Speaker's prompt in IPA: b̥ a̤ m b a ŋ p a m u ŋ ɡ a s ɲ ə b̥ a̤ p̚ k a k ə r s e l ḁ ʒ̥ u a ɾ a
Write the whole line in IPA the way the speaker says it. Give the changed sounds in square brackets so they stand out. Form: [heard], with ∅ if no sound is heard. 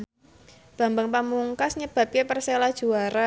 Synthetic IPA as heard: b̥ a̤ m b a ŋ p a m u ŋ [k] a s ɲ ə b̥ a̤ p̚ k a [p] ə r s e l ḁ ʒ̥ u a ɾ a